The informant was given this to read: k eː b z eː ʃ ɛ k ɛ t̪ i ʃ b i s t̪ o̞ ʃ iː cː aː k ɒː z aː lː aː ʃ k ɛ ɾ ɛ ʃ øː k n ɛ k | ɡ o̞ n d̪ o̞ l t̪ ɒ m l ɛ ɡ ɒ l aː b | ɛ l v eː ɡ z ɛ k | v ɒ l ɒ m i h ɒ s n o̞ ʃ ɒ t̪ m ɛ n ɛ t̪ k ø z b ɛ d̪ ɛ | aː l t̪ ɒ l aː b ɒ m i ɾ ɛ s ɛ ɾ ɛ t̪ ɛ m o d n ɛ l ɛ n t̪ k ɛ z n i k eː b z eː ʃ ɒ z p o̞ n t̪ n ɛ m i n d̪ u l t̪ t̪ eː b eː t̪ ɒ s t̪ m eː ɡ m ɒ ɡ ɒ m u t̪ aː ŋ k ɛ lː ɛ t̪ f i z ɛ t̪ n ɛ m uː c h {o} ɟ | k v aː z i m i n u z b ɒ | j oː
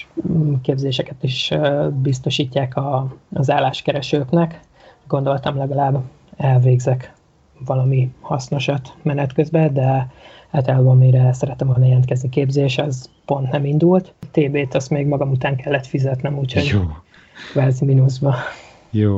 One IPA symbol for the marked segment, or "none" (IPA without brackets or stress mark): o